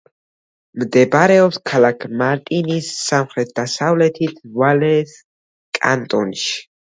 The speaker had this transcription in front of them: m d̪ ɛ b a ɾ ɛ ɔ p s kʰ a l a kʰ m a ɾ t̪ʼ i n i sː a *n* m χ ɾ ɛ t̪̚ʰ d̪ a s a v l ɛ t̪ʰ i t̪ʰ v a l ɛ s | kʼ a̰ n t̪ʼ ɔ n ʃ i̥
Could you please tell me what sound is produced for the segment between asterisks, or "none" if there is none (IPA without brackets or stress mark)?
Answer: none